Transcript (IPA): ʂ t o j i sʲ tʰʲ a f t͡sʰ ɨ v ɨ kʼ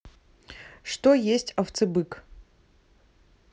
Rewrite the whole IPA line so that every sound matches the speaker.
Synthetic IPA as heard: ʂ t o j e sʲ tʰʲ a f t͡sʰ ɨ b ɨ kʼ